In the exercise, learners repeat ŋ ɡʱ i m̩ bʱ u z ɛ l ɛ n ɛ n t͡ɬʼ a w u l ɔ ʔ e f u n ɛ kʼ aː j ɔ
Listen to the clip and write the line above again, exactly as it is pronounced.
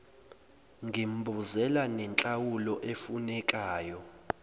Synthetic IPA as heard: ŋ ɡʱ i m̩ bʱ u z ɛ l a n ɛ n t͡ɬʼ a w u l ɔ ʔ e f u n ɛ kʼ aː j ɔ